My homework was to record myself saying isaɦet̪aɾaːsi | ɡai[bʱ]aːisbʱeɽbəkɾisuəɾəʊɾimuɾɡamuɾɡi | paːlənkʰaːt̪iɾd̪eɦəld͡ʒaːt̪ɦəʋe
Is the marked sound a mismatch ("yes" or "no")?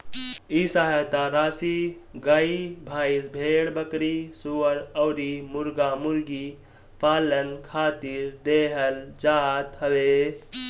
no